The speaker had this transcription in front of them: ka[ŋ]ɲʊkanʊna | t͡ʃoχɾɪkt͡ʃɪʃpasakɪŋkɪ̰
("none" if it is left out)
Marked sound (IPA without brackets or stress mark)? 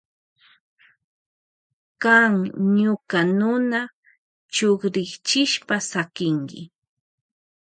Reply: ŋ